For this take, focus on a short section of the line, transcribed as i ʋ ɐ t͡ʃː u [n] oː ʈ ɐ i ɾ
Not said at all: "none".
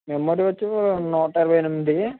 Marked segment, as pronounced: n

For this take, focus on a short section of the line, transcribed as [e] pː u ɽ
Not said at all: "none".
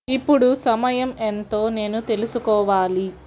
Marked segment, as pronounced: i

